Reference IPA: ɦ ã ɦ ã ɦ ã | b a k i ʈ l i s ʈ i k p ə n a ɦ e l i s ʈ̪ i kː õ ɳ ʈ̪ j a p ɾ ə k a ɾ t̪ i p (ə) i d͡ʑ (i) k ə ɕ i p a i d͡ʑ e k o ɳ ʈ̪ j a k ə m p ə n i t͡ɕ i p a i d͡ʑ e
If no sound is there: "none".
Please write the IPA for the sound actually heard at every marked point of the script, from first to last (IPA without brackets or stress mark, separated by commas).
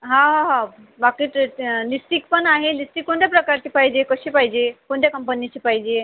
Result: a, e